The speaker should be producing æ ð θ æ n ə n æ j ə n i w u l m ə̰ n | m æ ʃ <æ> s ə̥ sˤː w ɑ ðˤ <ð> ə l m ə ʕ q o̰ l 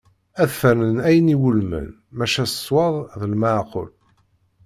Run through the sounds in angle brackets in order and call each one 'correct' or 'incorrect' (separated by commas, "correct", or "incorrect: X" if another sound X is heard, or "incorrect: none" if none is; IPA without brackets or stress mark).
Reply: correct, correct